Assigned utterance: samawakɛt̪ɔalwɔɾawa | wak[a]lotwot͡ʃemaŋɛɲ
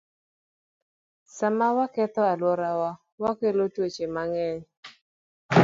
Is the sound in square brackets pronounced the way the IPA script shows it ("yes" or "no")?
no